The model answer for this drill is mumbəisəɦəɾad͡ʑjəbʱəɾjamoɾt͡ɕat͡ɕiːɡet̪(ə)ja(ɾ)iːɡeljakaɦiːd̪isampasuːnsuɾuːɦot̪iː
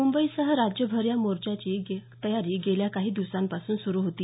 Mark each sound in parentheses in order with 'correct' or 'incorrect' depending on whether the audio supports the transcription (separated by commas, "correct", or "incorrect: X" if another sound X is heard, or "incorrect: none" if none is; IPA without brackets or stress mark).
correct, correct